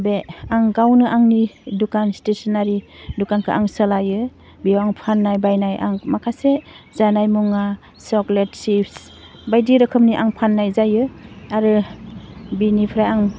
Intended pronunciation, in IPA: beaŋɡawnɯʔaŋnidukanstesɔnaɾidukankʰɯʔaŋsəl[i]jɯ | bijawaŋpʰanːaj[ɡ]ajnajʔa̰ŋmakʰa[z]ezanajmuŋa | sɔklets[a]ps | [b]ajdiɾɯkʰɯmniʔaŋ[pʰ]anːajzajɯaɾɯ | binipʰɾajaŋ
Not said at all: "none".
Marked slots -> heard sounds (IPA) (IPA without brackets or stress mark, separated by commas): a, b, s, i, b, pʰ